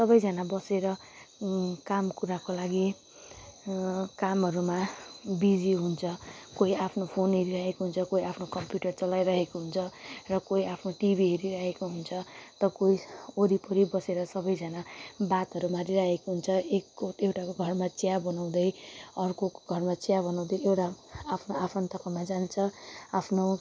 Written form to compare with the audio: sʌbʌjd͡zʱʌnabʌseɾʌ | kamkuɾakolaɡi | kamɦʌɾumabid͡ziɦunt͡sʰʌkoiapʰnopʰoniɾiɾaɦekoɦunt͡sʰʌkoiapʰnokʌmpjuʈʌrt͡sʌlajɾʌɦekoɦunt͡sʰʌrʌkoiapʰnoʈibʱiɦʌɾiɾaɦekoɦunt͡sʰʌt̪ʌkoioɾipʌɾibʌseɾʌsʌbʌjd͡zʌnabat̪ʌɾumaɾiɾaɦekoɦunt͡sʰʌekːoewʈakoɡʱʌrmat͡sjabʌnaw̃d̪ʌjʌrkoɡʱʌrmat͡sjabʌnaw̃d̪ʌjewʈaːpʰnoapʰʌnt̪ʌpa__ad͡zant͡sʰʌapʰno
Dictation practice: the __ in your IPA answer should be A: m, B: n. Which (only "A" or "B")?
A